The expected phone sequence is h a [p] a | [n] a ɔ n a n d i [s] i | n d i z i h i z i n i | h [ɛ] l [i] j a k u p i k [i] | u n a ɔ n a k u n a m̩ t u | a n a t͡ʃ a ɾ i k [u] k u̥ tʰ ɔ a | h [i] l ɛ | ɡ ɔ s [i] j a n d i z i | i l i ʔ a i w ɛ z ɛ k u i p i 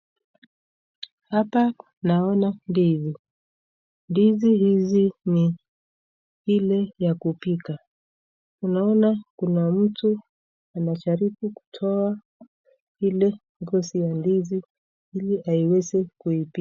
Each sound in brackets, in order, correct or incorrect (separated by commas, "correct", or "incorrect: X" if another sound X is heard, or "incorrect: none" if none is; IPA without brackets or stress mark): correct, correct, incorrect: z, incorrect: i, incorrect: ɛ, incorrect: a, correct, correct, correct